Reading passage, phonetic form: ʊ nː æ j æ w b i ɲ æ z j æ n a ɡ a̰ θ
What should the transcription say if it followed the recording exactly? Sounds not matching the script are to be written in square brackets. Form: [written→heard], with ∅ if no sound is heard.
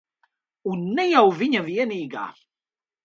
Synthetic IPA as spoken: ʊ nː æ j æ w [b→v] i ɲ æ [z→v] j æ n [a→i] ɡ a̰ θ

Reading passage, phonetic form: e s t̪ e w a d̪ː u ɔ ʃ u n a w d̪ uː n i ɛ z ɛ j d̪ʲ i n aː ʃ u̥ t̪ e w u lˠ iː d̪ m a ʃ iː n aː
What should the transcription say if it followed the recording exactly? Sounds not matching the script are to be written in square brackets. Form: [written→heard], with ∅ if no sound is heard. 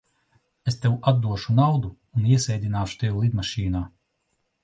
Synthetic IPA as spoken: e s t̪ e w a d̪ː u ɔ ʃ u n a w d̪ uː n i ɛ [z→s] ɛ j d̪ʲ i n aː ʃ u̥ t̪ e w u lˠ [iː→i] d̪ m a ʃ iː n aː

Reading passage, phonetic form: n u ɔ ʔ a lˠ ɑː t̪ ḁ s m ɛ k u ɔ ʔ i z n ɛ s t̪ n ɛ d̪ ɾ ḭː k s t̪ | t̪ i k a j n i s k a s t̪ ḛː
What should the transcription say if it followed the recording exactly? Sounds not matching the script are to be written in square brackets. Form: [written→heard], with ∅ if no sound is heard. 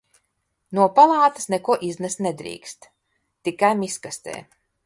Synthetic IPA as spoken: n u ɔ [ʔ→p] a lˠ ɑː t̪ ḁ s [m→n] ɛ k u ɔ ʔ i z n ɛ s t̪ n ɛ d̪ ɾ ḭː k s t̪ | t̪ i k a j [n→m] i s k a s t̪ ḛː

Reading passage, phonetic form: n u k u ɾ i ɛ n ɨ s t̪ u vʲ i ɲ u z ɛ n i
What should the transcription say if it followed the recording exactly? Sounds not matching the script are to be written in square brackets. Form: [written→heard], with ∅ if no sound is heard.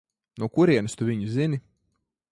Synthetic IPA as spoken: n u k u ɾ i ɛ n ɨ s t̪ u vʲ i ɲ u z [ɛ→i] n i

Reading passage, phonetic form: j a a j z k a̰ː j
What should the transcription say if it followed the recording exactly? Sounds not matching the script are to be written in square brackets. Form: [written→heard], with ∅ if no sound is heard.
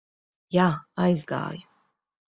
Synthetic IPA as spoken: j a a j z [k→ɡ] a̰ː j

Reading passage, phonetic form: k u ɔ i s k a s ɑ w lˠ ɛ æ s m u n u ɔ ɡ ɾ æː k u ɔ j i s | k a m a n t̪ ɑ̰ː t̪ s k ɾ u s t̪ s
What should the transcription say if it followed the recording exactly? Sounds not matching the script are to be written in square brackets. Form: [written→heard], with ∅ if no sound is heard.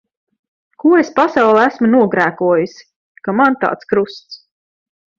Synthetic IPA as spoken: k u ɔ [i→e] s [k→p] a s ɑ w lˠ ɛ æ s m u n u ɔ ɡ ɾ æː k u ɔ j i s | k a m a n t̪ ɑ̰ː t̪ s k ɾ u s t̪ s

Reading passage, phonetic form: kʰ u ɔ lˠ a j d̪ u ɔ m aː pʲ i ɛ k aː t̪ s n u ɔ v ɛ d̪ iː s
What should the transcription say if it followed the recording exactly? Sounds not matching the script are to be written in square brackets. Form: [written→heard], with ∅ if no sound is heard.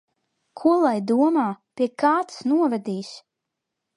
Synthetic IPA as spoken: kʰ u ɔ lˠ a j d̪ u ɔ m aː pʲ i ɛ k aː t̪ s n u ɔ v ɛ d̪ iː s

